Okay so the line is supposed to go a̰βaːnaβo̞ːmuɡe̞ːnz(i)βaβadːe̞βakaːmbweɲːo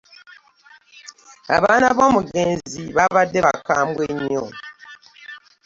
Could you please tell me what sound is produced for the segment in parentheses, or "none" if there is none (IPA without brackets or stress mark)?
i